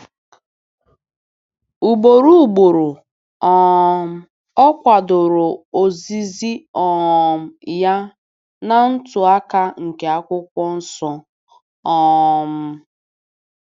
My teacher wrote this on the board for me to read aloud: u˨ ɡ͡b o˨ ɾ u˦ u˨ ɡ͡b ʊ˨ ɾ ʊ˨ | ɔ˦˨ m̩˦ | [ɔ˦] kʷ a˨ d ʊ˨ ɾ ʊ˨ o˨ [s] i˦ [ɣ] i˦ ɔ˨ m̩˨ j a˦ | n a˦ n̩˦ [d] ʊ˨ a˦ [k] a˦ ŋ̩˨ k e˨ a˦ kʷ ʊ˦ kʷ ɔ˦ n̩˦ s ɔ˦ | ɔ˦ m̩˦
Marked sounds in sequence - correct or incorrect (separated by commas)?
correct, incorrect, incorrect, incorrect, correct